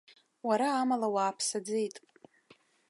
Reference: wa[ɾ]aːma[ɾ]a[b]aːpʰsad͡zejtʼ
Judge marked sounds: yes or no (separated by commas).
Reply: yes, no, no